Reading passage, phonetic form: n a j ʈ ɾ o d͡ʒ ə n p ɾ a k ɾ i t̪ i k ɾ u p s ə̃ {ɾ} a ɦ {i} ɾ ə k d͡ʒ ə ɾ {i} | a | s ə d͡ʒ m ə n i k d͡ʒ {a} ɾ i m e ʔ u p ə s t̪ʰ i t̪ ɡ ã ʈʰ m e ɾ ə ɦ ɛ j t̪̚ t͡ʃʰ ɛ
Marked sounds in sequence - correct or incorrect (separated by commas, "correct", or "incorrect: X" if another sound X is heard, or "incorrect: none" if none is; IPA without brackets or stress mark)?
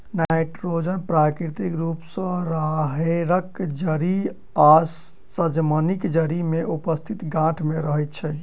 correct, incorrect: e, correct, incorrect: ə